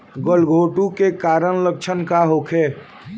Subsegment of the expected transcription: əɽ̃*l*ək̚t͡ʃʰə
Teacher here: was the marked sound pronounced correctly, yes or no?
yes